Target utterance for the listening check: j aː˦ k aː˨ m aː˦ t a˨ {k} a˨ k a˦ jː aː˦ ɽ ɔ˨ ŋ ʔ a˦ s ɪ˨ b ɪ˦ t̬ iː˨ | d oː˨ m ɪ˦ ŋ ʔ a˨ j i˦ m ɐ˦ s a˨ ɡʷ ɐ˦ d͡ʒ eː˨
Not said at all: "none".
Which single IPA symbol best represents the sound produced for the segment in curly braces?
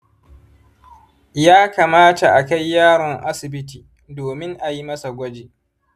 ʔ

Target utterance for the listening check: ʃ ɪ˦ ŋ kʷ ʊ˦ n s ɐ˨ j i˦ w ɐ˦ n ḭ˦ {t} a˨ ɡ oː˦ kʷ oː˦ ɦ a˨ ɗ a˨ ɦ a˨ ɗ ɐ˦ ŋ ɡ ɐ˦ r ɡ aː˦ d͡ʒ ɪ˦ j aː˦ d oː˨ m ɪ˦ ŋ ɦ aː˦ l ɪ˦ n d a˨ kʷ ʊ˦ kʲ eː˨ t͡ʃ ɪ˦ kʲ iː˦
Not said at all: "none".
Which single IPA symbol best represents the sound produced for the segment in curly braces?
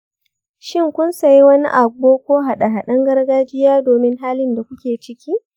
ʔ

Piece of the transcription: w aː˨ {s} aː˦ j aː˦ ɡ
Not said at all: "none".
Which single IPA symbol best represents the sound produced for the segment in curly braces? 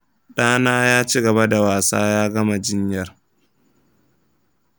s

